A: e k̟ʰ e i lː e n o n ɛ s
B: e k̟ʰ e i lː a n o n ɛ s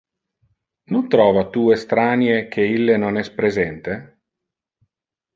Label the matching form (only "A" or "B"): A